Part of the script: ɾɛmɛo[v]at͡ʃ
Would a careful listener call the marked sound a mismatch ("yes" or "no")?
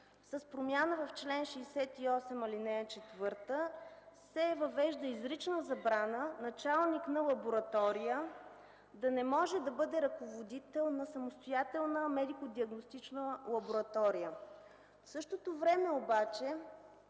yes